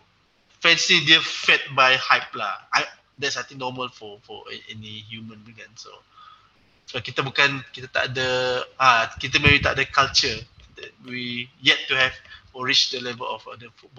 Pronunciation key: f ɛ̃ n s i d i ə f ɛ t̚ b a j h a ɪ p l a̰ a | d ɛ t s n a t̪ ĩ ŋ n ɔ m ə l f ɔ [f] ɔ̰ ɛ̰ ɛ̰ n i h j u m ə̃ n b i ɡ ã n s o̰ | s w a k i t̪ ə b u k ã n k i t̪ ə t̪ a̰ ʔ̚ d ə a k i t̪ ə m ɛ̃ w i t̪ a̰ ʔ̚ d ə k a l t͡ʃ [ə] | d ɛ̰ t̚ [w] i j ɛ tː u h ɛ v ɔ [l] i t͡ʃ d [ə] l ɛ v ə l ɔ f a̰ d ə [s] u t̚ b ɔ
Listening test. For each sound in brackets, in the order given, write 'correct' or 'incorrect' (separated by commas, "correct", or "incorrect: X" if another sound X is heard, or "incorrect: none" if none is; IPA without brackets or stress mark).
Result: correct, correct, correct, incorrect: ɹ, correct, incorrect: f